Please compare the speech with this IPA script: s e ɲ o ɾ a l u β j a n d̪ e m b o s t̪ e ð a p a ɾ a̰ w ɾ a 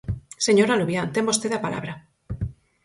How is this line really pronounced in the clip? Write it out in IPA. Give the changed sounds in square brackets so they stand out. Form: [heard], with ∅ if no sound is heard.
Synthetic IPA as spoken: s e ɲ o ɾ a l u β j a n [t̪] e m b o s t̪ e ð a p a [l] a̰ [β] ɾ a